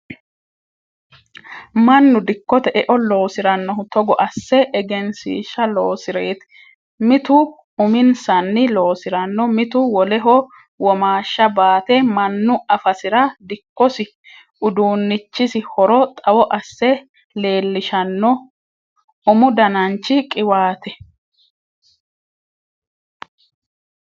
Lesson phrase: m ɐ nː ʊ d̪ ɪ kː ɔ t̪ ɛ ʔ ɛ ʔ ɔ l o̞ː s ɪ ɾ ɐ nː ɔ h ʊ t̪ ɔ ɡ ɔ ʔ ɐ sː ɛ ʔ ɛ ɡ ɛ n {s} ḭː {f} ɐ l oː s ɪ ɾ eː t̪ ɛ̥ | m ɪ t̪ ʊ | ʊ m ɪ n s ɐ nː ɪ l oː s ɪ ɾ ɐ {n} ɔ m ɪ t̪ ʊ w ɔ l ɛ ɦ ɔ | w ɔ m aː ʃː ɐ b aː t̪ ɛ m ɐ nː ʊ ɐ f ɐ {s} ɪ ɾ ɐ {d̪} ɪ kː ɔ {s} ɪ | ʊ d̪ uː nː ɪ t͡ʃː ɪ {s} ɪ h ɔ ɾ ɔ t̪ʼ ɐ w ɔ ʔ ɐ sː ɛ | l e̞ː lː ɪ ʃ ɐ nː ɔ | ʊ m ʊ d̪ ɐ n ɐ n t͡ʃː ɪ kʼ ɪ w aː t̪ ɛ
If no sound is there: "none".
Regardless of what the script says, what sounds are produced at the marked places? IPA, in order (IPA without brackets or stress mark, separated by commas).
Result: s, ʃ, nː, s, d̪, s, s